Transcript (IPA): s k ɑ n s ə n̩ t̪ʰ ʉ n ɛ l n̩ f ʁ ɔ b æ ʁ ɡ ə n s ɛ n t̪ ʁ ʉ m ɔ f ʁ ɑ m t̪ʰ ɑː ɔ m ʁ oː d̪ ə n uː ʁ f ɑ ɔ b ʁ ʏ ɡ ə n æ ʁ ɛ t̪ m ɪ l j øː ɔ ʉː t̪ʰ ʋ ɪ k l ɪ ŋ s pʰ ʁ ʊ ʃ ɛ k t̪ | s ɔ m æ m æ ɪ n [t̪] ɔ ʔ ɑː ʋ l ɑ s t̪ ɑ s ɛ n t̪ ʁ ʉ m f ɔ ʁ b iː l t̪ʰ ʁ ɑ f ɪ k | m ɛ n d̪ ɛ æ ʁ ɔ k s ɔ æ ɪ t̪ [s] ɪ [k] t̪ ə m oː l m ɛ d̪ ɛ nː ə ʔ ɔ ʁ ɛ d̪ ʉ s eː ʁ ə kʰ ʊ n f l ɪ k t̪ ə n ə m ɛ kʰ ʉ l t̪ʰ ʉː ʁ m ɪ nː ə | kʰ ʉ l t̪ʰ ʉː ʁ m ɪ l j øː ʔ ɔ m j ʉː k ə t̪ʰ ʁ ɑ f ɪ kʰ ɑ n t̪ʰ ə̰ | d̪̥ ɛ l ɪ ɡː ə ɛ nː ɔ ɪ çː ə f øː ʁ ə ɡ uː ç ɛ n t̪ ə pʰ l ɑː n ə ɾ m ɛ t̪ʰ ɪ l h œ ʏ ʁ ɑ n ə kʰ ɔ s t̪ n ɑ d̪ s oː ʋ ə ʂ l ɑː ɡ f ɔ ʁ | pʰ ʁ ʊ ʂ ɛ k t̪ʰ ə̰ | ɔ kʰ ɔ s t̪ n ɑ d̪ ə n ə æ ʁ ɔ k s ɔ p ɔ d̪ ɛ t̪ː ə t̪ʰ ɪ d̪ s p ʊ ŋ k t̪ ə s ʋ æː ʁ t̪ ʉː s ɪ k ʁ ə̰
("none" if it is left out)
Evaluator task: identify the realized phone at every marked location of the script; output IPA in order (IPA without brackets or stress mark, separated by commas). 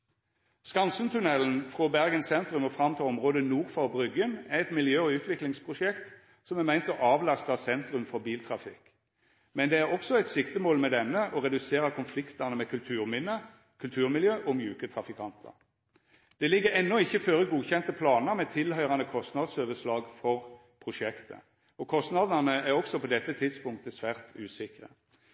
t̪, s, k